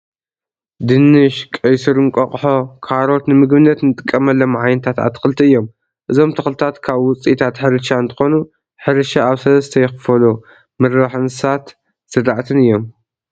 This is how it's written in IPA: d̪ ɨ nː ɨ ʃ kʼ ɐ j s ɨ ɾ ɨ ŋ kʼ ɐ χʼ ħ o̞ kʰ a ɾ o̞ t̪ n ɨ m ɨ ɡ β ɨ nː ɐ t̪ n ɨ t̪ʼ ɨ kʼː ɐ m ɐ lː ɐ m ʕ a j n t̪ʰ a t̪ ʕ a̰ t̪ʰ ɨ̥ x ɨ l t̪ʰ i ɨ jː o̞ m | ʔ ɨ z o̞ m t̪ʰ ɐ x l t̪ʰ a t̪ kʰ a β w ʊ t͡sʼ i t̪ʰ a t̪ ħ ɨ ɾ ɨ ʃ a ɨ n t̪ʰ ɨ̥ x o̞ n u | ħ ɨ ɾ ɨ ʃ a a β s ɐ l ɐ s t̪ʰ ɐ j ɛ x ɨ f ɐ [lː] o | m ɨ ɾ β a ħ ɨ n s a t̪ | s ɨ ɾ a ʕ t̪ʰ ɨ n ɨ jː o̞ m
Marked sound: incorrect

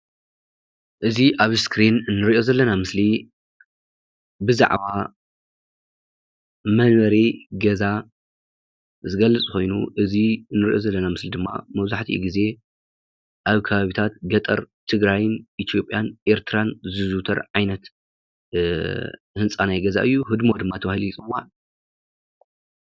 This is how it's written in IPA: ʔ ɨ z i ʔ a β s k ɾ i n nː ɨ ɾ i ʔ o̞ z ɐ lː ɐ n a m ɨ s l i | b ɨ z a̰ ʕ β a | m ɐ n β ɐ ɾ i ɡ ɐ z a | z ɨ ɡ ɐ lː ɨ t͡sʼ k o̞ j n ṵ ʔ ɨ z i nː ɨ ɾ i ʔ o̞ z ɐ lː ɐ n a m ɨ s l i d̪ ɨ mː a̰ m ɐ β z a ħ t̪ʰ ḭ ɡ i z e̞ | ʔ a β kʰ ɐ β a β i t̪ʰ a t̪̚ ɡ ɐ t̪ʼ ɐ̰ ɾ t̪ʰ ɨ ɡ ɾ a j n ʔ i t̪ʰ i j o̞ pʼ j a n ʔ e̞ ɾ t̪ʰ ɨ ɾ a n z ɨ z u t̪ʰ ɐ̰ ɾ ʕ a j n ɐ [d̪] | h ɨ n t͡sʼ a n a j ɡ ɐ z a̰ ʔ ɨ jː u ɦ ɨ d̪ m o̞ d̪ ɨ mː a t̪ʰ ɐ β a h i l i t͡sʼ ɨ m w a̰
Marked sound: incorrect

